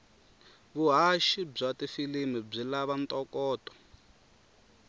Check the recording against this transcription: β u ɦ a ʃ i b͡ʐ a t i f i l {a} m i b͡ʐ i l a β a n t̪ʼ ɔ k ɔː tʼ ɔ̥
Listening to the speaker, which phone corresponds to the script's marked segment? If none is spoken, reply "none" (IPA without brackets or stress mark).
i